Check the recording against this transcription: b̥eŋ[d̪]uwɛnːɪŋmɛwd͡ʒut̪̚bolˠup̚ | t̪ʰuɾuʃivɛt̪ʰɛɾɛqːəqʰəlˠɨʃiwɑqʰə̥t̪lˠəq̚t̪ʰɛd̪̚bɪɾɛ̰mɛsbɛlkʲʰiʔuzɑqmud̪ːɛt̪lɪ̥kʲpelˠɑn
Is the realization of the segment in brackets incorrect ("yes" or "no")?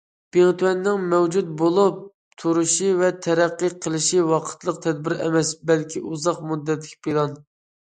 yes